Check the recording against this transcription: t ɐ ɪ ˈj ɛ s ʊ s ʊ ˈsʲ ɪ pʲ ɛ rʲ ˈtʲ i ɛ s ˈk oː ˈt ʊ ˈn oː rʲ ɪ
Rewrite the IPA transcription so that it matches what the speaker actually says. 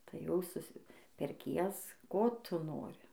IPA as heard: t ɐ ɪ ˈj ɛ ʊ s ʊ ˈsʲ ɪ pʲ ɛ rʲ ˈkʲ i ɛ s ˈk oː ˈt ʊ ˈn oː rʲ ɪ